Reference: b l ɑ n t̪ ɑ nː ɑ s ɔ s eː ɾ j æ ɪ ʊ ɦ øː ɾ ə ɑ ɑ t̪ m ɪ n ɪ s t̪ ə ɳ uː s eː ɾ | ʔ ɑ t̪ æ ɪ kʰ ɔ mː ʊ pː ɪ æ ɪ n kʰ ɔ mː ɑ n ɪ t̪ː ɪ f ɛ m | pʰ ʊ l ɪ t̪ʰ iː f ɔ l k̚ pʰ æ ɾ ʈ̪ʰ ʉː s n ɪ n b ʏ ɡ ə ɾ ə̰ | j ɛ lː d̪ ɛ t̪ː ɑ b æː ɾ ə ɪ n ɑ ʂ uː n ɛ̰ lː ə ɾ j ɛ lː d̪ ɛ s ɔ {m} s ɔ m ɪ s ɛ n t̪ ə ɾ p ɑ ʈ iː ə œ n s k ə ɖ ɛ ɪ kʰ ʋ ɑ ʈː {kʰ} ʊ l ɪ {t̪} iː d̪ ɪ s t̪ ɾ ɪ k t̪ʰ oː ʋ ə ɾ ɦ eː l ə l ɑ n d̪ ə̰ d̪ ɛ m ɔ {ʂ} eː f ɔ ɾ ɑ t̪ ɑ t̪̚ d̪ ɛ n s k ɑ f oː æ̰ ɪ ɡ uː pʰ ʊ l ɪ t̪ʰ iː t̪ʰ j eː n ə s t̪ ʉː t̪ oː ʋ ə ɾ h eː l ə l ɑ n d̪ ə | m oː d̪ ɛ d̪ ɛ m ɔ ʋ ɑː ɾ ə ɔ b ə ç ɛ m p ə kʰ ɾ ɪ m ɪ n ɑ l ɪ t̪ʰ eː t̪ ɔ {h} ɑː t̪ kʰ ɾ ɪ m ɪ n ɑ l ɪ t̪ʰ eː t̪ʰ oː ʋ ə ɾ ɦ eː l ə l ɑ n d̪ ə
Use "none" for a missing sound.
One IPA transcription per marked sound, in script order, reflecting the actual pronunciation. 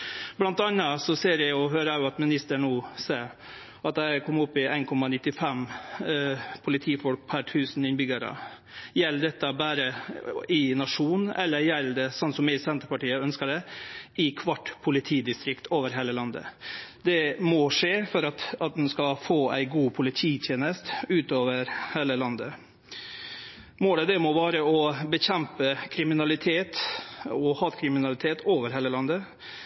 n, pʰ, t̪ʰ, ʂ, h

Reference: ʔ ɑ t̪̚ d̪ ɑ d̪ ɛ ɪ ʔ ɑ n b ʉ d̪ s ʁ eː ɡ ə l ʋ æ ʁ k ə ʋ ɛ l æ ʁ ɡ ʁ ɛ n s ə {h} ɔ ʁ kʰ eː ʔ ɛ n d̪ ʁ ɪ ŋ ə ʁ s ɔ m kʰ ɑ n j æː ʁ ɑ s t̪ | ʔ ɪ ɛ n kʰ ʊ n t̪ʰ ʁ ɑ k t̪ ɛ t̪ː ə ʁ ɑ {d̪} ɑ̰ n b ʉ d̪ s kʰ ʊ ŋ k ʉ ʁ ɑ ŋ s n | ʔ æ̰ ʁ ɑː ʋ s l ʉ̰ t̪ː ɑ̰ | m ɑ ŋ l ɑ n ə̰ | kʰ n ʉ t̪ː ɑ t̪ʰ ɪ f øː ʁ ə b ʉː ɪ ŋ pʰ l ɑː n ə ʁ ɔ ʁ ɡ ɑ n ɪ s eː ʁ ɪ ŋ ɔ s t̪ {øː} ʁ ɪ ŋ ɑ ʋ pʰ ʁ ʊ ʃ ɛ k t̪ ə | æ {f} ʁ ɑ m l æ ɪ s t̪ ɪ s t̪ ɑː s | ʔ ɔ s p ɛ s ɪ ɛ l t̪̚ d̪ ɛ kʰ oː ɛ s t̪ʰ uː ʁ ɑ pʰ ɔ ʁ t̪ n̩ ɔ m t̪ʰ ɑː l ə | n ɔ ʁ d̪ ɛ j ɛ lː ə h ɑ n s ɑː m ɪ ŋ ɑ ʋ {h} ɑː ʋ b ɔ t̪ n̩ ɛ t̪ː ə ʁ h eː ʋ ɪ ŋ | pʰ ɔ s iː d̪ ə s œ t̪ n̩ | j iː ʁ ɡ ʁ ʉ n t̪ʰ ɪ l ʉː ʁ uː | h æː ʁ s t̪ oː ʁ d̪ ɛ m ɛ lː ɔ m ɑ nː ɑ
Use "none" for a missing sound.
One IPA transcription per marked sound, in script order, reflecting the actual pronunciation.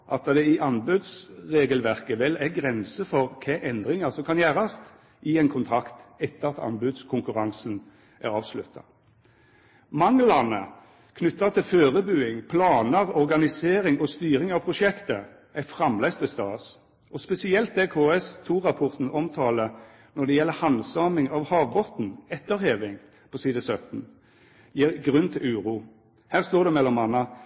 f, t̪, yː, f, h

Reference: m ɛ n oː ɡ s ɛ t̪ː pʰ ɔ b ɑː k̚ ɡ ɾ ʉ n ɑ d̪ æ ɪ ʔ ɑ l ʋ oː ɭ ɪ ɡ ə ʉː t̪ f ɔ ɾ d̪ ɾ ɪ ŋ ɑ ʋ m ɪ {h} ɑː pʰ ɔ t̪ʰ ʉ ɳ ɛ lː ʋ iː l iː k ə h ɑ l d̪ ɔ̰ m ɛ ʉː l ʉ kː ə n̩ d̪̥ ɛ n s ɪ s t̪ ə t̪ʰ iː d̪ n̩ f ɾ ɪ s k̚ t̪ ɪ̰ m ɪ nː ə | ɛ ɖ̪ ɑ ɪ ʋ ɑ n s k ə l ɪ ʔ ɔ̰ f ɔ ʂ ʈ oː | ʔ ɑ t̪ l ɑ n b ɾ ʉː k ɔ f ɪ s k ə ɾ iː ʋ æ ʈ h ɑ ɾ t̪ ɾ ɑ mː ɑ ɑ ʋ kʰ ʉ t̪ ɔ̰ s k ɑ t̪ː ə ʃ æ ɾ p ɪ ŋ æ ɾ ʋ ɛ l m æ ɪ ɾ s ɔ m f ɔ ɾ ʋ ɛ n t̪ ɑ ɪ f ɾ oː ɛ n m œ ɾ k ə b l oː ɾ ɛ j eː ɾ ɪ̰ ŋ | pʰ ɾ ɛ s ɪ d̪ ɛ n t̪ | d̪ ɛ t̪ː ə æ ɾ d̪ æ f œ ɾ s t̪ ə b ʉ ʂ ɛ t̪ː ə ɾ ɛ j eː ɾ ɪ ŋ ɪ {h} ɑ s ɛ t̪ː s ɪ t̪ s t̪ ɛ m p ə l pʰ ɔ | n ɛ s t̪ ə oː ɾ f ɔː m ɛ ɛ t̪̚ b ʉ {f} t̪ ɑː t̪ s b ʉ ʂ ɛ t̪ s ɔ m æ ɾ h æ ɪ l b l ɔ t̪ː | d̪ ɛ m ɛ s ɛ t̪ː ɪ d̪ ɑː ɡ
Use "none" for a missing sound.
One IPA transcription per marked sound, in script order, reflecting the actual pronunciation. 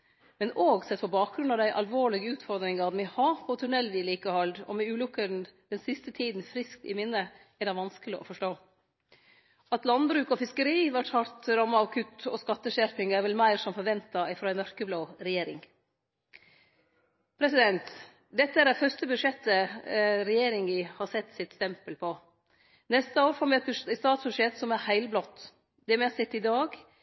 h, h, s

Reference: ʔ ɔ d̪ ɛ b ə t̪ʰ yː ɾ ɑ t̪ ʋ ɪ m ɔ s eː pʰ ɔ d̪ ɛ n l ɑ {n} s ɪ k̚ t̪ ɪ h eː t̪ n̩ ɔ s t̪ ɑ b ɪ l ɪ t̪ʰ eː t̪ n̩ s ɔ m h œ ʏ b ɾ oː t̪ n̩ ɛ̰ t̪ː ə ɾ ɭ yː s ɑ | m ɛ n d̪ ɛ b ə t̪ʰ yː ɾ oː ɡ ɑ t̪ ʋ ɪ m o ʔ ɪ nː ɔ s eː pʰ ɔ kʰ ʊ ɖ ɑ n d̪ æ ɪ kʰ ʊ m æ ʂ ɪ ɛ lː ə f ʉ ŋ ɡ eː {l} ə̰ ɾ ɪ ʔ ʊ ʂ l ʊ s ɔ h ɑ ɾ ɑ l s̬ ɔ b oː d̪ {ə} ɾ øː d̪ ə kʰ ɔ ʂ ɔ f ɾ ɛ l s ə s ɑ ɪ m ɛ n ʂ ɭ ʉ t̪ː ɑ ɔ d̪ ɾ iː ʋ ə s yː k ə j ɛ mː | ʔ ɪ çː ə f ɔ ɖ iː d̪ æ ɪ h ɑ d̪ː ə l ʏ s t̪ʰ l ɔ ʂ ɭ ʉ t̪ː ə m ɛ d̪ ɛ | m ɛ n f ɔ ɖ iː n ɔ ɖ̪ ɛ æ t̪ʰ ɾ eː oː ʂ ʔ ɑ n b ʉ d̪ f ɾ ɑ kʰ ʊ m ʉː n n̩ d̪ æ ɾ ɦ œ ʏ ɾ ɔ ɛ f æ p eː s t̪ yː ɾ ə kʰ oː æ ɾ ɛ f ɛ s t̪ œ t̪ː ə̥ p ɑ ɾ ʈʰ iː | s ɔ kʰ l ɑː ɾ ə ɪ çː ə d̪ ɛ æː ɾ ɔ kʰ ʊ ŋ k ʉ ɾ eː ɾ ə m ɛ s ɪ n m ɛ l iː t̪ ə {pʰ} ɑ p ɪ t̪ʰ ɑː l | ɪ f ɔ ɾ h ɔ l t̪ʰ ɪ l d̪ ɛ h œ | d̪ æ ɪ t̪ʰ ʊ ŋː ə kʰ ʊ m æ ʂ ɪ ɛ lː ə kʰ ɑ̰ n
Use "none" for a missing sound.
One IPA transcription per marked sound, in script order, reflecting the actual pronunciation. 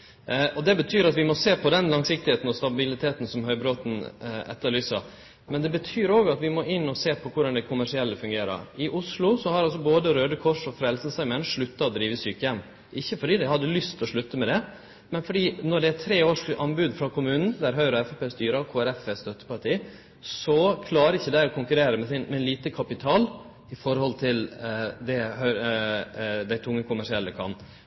ŋ, ɾ, ə, kʰ

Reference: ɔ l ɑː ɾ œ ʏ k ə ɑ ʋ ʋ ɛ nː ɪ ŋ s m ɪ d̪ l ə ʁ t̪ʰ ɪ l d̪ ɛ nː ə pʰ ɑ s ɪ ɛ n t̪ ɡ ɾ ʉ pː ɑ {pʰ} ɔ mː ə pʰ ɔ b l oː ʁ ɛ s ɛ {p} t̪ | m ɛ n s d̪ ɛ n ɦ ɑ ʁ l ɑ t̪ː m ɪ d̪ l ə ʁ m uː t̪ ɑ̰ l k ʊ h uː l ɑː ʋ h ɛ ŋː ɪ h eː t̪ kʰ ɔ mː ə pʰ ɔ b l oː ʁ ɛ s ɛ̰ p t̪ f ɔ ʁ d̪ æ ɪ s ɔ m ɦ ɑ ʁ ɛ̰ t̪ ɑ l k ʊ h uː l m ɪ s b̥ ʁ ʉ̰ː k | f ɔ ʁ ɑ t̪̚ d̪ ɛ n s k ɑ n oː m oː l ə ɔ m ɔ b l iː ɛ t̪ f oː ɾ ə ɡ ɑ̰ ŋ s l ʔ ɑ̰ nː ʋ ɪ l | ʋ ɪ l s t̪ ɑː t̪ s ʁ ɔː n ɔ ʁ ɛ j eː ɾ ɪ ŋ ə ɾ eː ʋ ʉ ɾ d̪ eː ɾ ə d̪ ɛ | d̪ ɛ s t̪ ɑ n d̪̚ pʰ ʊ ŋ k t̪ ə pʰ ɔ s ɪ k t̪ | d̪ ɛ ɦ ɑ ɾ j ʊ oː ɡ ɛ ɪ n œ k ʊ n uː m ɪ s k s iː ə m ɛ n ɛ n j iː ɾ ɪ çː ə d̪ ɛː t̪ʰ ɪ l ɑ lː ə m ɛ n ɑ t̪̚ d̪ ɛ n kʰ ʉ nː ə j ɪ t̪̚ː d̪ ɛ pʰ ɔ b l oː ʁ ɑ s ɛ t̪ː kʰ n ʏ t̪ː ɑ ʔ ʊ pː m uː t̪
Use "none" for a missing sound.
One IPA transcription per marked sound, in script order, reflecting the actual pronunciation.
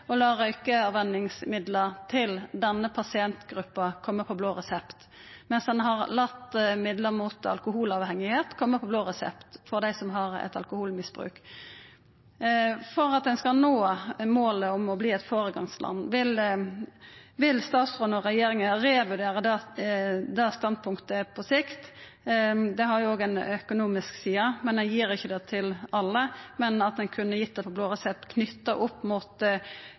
kʰ, p

